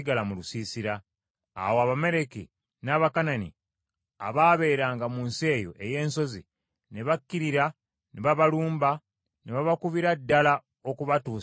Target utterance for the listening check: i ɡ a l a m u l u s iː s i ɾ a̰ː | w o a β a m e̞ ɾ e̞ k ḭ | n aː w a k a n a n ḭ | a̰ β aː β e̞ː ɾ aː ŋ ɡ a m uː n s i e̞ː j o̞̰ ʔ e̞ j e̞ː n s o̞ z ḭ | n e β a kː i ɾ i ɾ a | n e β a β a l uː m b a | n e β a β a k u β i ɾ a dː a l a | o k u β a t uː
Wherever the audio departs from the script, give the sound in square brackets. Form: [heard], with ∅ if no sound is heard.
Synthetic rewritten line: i ɡ a l a m u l u s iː s i ɾ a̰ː | w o a β a m e̞ ɾ e̞ k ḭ | n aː [β] a k a n a n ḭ | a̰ β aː β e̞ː ɾ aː ŋ ɡ a m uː n s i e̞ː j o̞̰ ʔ e̞ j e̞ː n s o̞ z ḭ | n e β a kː i ɾ i ɾ a | n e β a β a l uː m b a | n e β a β a k u β i ɾ a dː a l a | o k u β a t uː

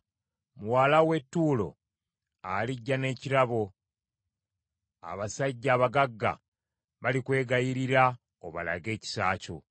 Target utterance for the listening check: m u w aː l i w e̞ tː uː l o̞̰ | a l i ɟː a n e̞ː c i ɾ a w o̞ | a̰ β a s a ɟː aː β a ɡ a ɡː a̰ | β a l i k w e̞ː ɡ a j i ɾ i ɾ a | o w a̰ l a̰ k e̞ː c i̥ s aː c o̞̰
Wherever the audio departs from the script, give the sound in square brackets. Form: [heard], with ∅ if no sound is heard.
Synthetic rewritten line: m u w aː l [a] w e̞ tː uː l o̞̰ | a l i ɟː a n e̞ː c i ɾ a [β] o̞ | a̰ β a s a ɟː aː β a ɡ a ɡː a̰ | β a l i k w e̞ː ɡ a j i ɾ i ɾ a | o [β] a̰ l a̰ [ɡ] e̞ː c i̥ s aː c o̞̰

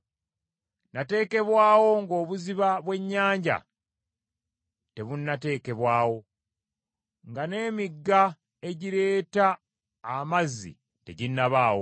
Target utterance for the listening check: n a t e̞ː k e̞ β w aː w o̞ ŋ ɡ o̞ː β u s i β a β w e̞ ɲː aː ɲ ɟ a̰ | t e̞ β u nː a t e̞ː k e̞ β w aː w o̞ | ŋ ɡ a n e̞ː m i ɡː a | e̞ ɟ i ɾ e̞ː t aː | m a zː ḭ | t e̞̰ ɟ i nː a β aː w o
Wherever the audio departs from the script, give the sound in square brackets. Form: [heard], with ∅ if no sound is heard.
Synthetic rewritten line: n a t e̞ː k e̞ β w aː w o̞ ŋ ɡ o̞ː β u [z] i β a β w e̞ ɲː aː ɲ ɟ a̰ | t e̞ β u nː a t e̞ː k e̞ β w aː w o̞ | ŋ ɡ a n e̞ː m i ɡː a | e̞ ɟ i ɾ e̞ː t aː | m a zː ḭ | t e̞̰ ɟ i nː a β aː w o

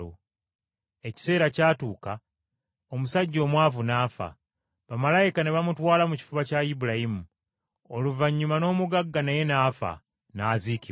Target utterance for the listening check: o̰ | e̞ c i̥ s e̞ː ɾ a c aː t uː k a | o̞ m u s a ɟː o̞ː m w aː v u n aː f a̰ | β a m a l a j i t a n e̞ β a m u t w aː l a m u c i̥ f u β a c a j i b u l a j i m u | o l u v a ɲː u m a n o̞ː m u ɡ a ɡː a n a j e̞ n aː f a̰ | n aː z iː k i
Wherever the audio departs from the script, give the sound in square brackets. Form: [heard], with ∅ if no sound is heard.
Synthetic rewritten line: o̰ | e̞ c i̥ s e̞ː ɾ a c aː t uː k a | o̞ m u s a ɟː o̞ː m w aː v u n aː f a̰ | β a m a l a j i [k] a n e̞ β a m u t w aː l a m u c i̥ f u β a c a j i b u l a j i m u | o l u v a ɲː u m a n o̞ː m u ɡ a ɡː a n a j e̞ n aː f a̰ | n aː z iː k i

